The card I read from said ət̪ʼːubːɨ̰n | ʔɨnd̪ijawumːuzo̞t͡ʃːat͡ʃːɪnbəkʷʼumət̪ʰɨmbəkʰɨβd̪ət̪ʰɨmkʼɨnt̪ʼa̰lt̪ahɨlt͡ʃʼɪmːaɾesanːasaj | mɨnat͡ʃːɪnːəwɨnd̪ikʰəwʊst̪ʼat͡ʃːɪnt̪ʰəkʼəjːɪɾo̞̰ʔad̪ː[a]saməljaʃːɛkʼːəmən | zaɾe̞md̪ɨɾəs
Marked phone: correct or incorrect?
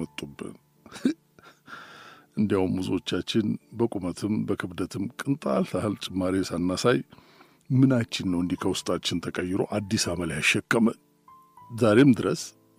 incorrect